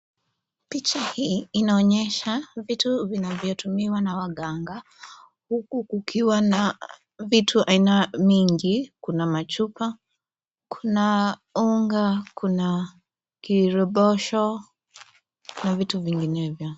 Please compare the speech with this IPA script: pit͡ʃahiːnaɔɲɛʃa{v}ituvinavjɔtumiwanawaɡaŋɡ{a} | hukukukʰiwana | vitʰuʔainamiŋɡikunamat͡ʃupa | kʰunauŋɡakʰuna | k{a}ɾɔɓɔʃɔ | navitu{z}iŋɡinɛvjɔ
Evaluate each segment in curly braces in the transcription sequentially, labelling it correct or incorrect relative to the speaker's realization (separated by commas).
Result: correct, correct, incorrect, incorrect